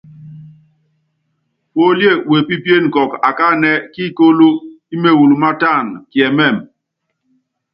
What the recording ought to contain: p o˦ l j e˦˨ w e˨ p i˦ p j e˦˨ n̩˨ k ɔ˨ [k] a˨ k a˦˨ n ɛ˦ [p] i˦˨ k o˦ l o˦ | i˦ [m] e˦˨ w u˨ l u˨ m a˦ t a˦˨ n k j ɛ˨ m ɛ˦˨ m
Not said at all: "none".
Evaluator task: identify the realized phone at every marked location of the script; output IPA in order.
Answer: k, k, m

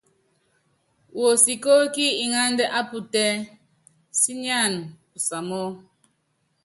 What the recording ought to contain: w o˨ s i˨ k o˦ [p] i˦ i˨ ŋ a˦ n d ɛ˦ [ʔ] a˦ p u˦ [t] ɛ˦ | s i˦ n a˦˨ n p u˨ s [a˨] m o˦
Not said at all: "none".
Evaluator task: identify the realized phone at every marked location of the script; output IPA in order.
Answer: k, ʔ, t, a˨

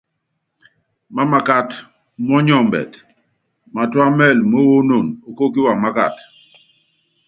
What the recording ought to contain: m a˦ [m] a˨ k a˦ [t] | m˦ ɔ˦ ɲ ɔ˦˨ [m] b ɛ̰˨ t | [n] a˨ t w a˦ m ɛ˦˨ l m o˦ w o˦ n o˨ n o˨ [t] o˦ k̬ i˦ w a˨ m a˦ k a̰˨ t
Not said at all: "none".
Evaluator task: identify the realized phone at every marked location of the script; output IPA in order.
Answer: m, t, m, m, k

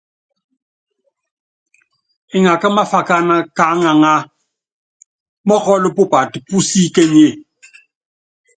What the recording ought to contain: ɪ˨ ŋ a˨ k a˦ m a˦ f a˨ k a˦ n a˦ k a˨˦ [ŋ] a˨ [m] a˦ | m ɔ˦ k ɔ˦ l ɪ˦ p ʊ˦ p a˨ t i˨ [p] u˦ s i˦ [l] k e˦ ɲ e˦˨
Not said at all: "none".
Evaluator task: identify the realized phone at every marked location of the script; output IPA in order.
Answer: ŋ, ŋ, p, none

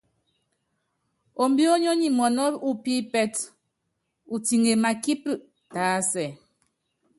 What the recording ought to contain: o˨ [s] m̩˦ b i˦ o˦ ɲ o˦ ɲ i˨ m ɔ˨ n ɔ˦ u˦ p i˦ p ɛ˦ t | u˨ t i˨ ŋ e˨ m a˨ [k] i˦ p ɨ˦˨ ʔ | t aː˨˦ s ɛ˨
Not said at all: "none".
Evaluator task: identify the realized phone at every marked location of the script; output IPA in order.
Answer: none, k

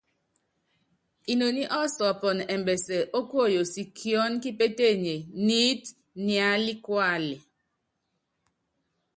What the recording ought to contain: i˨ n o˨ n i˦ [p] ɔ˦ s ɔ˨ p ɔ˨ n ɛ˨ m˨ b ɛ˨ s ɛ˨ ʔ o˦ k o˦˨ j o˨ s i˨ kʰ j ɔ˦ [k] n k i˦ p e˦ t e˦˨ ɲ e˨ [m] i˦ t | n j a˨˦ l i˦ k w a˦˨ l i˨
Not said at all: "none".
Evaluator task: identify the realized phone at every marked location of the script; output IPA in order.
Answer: ʔ, none, n

